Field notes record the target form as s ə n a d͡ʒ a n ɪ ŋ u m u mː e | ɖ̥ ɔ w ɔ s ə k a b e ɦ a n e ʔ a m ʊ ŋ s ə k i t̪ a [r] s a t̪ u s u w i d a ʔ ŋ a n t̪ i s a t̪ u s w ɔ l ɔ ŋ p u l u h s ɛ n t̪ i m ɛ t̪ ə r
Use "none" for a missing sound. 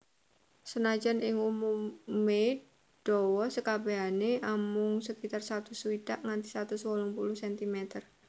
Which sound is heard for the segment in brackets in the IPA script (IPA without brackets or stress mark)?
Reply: r